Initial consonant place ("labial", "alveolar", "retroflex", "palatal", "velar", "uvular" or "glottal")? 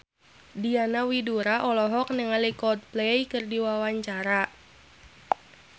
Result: alveolar